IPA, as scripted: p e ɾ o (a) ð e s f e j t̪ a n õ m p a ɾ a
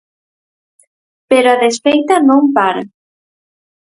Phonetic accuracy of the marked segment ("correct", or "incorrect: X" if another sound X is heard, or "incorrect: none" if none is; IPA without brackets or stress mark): correct